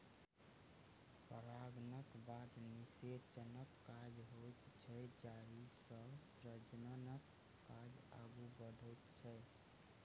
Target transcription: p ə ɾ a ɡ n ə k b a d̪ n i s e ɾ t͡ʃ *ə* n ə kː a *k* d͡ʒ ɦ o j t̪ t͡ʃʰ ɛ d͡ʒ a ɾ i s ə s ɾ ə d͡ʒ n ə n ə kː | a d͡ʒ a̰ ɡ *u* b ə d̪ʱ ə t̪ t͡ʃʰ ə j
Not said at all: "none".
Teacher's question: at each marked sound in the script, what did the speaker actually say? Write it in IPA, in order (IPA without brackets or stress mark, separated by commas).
ə, none, u